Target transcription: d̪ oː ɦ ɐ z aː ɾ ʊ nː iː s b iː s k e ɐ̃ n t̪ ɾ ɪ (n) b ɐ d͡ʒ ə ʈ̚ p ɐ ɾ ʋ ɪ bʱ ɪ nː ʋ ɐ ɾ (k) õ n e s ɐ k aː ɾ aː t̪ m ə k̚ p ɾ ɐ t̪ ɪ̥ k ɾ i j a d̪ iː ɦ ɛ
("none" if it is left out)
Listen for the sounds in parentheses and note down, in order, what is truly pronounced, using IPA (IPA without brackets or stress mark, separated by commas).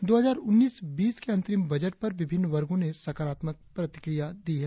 m, ɡ